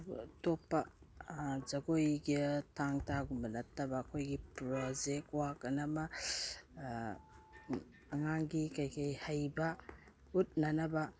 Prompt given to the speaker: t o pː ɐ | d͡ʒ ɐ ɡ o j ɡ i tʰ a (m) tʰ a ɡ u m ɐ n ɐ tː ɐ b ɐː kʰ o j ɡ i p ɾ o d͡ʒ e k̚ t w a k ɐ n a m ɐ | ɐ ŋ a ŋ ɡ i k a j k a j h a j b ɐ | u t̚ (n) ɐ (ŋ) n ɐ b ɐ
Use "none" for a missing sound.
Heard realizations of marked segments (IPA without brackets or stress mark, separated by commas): ŋ, n, none